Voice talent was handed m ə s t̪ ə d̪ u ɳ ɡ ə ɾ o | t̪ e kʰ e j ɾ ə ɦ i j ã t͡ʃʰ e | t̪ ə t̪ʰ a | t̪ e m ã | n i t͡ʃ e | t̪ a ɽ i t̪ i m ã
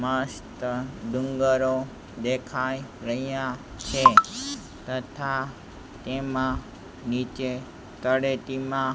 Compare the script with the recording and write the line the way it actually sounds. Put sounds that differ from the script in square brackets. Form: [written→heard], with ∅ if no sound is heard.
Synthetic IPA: m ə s t̪ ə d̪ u [ɳ→ŋ] ɡ ə ɾ o | [t̪→d̪] e kʰ [e→a] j ɾ ə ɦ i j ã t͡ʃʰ e | t̪ ə t̪ʰ a | t̪ e m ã | n i t͡ʃ e | t̪ [a→ə] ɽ [i→e] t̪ i m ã